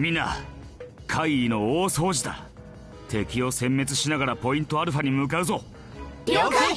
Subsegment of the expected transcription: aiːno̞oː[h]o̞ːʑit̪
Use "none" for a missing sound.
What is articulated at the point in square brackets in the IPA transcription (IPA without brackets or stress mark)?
s